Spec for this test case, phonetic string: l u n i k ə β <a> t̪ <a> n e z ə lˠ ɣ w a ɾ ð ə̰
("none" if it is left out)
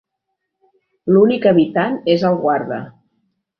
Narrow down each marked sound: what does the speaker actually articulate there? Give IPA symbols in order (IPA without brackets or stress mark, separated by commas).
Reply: i, a